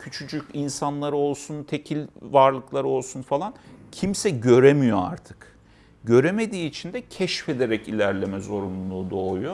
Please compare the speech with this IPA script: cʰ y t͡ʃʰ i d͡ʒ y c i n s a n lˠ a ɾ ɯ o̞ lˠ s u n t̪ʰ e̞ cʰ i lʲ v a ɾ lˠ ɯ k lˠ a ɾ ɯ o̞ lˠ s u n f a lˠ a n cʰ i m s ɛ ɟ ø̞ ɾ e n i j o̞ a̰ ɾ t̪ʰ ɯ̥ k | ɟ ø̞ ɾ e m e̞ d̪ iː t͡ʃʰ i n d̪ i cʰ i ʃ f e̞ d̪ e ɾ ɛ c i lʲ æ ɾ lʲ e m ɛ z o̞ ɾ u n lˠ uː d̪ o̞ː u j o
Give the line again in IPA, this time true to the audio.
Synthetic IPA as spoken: cʰ y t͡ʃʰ y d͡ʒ y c i n s a n lˠ a ɾ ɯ o̞ lˠ s u n t̪ʰ e̞ cʰ i lʲ v a ɾ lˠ ɯ k lˠ a ɾ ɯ o̞ lˠ s u n f a lˠ a n cʰ i m s ɛ ɟ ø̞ ɾ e m i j o̞ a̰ ɾ t̪ʰ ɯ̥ k | ɟ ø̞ ɾ e m e̞ d̪ iː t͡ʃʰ i n d̪ ɛ cʰ ɛ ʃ f e̞ d̪ e ɾ ɛ c i lʲ æ ɾ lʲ e m ɛ z o̞ ɾ u n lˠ uː d̪ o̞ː u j o